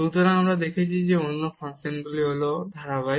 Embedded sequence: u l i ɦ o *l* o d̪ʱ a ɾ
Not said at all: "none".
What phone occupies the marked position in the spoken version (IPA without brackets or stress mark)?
l